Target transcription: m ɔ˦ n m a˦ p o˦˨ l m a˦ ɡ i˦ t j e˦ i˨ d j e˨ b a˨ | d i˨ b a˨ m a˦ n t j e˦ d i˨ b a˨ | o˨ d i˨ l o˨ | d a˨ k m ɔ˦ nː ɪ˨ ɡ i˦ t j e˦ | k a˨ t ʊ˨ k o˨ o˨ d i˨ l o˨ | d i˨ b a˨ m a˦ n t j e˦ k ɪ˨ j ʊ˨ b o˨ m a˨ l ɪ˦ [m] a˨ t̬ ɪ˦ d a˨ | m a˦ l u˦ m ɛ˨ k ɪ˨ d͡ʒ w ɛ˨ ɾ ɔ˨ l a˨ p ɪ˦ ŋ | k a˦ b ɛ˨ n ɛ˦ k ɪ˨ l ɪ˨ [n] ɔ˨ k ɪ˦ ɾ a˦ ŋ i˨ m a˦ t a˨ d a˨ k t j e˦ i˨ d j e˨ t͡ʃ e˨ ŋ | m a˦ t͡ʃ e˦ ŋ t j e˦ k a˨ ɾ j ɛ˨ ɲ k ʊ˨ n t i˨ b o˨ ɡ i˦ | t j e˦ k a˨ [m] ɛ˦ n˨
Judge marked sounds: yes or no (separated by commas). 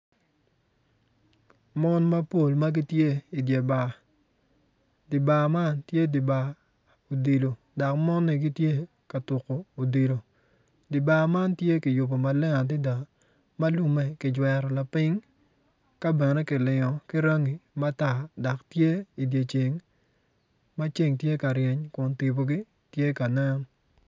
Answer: no, no, no